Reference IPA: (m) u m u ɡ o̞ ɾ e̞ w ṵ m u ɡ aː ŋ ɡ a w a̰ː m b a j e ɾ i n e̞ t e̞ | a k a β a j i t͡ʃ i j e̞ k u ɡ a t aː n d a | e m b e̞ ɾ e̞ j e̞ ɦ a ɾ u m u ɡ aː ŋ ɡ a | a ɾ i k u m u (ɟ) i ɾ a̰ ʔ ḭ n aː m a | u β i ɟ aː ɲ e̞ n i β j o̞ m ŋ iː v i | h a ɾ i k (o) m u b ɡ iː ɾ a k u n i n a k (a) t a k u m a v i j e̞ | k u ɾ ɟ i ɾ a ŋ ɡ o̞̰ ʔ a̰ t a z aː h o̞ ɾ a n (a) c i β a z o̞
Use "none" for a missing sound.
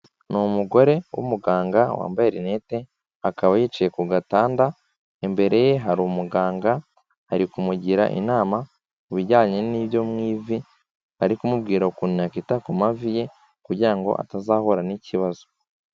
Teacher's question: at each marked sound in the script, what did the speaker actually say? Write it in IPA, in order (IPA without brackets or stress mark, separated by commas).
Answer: n, ɟ, u, i, i